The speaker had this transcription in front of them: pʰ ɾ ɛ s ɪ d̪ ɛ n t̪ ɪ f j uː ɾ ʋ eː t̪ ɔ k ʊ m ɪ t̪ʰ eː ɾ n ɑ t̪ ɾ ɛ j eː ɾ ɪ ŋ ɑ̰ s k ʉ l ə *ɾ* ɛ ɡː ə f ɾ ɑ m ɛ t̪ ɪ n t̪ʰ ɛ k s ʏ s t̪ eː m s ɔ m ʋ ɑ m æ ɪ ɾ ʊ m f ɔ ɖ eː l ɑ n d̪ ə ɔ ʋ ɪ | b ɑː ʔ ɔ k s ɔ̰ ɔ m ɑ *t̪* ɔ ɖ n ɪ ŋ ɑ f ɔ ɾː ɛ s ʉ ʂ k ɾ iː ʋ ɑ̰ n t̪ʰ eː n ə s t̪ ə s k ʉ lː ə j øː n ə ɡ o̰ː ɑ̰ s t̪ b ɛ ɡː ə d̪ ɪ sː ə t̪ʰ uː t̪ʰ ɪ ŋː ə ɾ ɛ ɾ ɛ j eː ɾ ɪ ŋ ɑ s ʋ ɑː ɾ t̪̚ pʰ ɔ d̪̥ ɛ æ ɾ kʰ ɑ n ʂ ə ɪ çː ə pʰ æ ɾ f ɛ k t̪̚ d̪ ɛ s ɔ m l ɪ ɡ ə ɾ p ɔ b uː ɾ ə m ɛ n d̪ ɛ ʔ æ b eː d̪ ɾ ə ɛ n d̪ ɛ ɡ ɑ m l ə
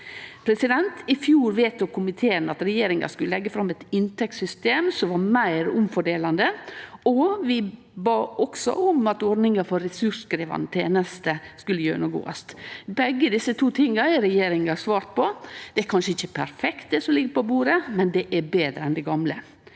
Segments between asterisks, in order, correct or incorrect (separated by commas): incorrect, correct